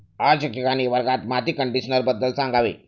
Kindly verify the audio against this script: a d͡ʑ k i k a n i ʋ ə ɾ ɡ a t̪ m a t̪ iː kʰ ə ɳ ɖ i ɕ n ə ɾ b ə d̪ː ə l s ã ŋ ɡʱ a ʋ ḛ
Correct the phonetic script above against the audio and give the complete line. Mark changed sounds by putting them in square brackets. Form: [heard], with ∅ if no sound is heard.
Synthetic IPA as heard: a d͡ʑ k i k a n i ʋ ə ɾ ɡ a t̪ m a t̪ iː [k] ə ɳ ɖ i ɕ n ə ɾ b ə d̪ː ə l s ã ŋ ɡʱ a ʋ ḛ